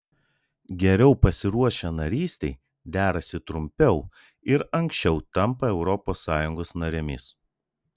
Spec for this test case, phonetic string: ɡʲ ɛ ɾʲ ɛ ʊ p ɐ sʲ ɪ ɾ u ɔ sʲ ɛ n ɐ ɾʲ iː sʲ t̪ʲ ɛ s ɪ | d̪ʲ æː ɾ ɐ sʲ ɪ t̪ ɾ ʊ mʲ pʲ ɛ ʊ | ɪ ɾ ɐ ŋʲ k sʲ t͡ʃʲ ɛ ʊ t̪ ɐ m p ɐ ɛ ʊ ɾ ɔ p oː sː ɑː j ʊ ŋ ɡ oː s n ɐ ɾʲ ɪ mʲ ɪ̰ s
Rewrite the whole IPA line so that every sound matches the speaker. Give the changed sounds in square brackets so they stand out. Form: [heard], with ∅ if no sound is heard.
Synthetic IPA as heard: ɡʲ ɛ ɾʲ ɛ ʊ p ɐ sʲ ɪ ɾ u ɔ [ʃʲ] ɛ n ɐ ɾʲ iː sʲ t̪ʲ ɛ [∅] ɪ | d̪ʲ æː ɾ ɐ sʲ ɪ t̪ ɾ ʊ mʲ pʲ ɛ ʊ | ɪ ɾ ɐ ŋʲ k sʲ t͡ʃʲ ɛ ʊ t̪ ɐ m p ɐ ɛ ʊ ɾ ɔ p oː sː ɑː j ʊ ŋ ɡ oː s n ɐ ɾʲ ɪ mʲ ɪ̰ s